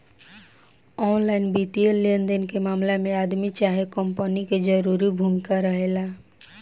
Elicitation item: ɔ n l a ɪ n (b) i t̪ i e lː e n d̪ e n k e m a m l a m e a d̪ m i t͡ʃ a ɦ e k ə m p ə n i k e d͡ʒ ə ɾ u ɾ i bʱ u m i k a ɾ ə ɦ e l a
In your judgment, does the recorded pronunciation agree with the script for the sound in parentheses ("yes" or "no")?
yes